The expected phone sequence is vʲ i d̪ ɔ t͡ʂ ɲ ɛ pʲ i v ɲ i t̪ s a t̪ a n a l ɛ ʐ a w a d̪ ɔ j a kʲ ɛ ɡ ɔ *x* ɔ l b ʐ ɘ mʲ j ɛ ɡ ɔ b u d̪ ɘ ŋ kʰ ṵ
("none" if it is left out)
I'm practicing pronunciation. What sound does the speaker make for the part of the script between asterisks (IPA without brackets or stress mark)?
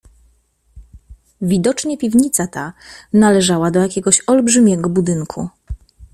ɕ